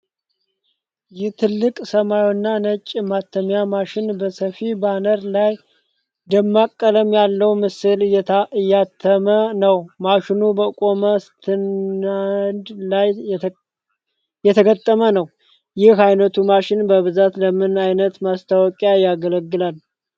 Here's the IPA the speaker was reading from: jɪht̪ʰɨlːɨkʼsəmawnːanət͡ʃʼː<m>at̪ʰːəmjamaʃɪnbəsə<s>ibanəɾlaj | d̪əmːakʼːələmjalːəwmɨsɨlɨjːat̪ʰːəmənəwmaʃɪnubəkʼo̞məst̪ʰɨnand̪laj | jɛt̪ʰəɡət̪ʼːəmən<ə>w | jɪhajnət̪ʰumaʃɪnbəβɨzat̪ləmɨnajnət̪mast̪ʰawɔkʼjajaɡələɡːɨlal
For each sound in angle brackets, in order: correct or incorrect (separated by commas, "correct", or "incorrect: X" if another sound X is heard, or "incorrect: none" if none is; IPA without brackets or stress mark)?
correct, incorrect: f, correct